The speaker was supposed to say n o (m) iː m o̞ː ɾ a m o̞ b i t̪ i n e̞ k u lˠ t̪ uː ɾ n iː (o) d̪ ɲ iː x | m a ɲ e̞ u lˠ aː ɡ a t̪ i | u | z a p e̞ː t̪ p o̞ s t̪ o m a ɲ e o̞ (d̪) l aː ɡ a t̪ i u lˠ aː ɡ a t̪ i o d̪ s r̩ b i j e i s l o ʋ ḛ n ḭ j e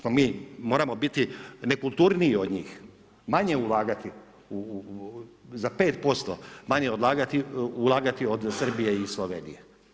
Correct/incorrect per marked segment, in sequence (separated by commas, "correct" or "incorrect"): correct, correct, correct